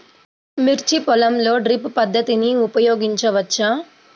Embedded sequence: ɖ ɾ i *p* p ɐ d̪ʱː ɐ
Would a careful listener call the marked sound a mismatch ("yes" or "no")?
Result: no